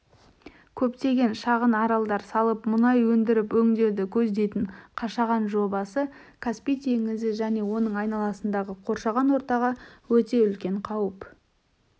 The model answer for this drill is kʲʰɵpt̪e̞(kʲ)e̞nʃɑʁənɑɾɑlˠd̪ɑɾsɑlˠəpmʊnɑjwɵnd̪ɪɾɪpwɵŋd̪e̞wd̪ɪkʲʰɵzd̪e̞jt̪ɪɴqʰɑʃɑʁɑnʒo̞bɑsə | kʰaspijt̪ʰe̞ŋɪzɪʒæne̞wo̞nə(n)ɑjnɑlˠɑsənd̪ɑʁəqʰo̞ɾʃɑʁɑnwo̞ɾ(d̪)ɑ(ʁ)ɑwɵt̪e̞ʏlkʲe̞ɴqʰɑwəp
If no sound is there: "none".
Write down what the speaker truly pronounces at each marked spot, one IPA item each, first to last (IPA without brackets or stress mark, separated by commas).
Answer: ɡʲ, ɴ, t̪, ʁ